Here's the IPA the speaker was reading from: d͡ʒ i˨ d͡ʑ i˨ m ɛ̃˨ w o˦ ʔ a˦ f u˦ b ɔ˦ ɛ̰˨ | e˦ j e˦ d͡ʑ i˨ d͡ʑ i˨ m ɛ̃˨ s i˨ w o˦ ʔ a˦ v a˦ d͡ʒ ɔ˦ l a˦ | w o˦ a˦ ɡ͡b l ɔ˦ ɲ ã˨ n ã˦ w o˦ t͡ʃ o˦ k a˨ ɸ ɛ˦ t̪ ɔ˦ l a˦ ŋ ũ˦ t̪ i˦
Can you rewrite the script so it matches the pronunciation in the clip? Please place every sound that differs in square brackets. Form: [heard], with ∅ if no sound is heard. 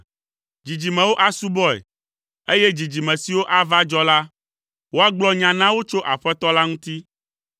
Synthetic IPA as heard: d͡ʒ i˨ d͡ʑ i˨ m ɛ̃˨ w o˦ ʔ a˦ [s] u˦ b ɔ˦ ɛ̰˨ | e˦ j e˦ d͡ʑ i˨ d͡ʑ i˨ m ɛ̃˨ s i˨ w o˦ ʔ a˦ v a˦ d͡ʒ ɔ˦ l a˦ | w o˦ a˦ ɡ͡b l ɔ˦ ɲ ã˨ n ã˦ w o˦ t͡ʃ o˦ [ʔ] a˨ ɸ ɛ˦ t̪ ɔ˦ l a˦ ŋ ũ˦ t̪ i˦

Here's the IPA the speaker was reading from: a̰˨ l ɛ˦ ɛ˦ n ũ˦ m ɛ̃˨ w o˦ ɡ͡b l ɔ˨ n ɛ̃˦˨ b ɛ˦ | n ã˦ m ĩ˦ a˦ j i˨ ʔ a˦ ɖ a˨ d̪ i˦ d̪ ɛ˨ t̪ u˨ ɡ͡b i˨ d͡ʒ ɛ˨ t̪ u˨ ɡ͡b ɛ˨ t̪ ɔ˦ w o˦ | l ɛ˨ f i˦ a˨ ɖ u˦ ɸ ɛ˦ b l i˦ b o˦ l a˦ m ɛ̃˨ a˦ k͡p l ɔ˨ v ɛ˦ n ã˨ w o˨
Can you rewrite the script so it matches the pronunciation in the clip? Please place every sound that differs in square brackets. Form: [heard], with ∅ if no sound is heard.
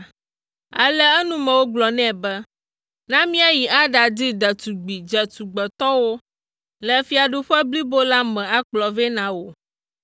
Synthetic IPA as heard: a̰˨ l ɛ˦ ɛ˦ n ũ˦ m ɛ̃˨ w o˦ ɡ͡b l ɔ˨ n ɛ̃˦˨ b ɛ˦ | n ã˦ m ĩ˦ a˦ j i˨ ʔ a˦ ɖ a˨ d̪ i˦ d̪ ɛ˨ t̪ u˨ ɡ͡b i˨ d͡ʒ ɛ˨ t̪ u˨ ɡ͡b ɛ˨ t̪ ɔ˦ w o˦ | l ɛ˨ f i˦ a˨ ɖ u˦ ɸ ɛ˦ b l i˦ b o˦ l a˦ m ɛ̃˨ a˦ k͡p l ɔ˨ v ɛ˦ n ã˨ w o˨

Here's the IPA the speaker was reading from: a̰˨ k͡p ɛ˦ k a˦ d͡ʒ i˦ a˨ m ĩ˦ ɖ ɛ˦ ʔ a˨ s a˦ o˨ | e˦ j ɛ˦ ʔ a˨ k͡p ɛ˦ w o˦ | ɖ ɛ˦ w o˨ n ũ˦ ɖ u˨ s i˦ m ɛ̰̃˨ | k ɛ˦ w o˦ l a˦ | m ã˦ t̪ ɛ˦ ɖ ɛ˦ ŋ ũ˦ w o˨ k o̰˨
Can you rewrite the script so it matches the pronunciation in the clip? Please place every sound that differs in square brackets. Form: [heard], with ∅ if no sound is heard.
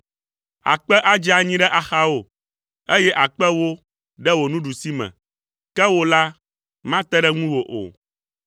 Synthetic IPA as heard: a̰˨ k͡p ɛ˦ [ʔ] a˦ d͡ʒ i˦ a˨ [ɲ] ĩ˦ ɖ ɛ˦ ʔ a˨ [x] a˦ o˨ | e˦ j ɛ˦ ʔ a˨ k͡p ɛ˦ w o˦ | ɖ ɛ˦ w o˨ n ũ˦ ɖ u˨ s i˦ m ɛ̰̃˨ | k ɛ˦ w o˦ l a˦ | m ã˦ t̪ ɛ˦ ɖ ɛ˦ ŋ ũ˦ w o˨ [ʔ] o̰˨

